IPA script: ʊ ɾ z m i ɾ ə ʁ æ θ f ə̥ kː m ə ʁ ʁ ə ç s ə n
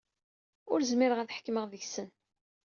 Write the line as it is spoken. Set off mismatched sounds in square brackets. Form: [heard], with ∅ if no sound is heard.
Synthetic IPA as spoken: ʊ ɾ z m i ɾ ə ʁ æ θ [ħ] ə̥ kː m ə ʁ [ð] ə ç s ə n